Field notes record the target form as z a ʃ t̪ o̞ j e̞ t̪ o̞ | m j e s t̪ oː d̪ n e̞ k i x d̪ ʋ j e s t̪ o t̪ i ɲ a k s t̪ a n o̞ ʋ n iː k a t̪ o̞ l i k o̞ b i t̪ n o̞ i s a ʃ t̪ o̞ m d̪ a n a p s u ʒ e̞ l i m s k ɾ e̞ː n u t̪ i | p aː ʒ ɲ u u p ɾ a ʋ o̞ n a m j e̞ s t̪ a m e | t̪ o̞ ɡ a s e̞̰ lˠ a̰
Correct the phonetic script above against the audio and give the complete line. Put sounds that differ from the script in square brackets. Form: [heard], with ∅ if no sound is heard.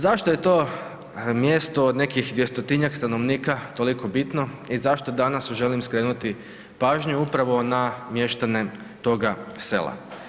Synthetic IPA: z a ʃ t̪ o̞ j e̞ t̪ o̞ | m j e s t̪ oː d̪ n e̞ k i x d̪ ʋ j e s t̪ o t̪ i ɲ a k s t̪ a n o̞ ʋ n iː k a t̪ o̞ l i k o̞ b i t̪ n o̞ i [z] a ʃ t̪ o̞ [∅] d̪ a n a [∅] s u ʒ e̞ l i m s k ɾ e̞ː n u t̪ i | p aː ʒ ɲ u u p ɾ a ʋ o̞ n a m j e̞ [ʃ] t̪ a [n] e | t̪ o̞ ɡ a s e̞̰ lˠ a̰